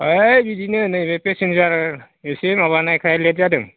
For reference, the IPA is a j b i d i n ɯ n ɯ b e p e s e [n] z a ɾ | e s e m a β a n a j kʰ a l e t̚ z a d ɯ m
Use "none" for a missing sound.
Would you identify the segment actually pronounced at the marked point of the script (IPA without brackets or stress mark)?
n